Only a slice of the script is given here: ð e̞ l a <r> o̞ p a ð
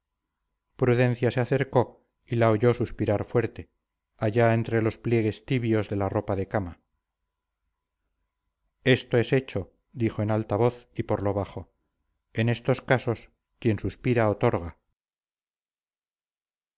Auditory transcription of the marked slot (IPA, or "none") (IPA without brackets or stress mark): r